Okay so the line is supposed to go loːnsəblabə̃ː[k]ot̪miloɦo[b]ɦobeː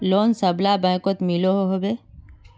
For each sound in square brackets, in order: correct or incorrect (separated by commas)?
correct, incorrect